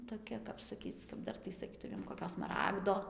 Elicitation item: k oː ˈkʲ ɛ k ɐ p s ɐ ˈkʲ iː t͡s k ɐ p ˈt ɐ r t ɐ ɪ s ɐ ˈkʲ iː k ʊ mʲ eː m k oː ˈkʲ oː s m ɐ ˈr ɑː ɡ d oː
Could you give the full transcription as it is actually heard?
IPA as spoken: t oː ˈkʲ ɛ k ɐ p s ɐ ˈkʲ iː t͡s k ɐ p ˈd ɐ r t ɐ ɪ s ɐ ˈkʲ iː t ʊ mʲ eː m k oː ˈkʲ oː s m ɐ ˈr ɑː ɡ d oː